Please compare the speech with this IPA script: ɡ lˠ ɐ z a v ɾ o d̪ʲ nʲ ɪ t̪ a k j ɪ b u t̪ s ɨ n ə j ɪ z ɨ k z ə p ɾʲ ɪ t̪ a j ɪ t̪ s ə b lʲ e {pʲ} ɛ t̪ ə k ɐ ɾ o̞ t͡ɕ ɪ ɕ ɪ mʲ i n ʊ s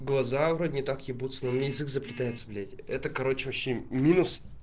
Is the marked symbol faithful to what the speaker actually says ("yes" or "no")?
no